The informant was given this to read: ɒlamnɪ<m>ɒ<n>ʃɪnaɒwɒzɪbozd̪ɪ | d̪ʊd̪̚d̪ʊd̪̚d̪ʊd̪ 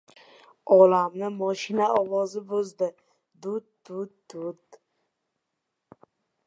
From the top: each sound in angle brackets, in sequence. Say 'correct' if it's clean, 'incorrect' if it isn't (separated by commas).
correct, incorrect